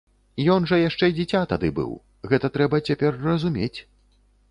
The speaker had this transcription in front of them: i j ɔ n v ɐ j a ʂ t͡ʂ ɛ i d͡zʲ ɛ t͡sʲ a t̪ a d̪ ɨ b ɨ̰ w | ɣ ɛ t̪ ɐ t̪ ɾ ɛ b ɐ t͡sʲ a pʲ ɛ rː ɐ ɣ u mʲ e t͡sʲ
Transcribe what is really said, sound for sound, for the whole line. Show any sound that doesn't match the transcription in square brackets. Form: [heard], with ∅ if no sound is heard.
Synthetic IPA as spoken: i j ɔ n [ʐ] ɐ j a ʂ t͡ʂ ɛ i d͡zʲ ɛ t͡sʲ a t̪ a d̪ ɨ b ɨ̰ w | ɣ ɛ t̪ ɐ t̪ ɾ ɛ b ɐ t͡sʲ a pʲ ɛ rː ɐ [z] u mʲ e t͡sʲ